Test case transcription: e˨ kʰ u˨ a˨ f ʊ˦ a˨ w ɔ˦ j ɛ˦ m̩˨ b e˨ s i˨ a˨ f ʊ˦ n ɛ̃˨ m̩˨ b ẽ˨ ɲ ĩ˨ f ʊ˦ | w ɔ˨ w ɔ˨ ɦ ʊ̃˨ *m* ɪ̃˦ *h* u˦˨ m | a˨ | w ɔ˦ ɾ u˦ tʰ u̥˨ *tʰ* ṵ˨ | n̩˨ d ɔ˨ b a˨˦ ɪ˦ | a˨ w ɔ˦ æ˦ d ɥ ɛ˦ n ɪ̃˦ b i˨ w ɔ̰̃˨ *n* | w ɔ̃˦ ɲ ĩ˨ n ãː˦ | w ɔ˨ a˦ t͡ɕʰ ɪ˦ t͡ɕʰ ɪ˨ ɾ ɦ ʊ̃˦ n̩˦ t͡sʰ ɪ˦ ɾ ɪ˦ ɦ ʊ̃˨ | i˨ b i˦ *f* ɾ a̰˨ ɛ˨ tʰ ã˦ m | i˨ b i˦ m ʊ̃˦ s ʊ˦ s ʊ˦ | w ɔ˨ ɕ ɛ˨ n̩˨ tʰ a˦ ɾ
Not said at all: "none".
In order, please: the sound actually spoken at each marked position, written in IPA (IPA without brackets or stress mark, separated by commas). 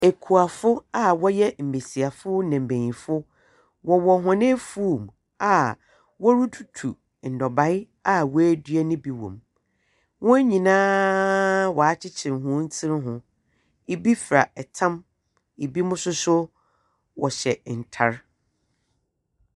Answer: n, f, tʰ, m, f